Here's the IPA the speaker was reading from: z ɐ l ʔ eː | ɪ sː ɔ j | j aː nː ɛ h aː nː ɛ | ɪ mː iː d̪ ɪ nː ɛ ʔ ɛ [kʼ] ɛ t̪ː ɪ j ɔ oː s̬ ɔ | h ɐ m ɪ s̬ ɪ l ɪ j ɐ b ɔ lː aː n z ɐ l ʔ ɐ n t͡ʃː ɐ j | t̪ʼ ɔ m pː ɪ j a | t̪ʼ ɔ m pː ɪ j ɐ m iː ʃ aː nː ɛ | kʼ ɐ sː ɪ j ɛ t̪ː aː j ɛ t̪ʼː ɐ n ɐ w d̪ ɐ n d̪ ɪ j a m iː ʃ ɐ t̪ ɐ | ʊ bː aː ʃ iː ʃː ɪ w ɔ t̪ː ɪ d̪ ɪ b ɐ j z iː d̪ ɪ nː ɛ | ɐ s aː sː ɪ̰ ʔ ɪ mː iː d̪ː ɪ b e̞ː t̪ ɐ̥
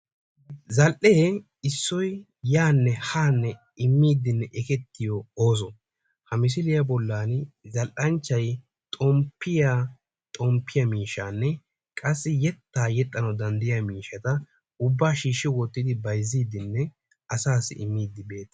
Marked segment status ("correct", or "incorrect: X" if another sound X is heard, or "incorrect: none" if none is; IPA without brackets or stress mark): incorrect: k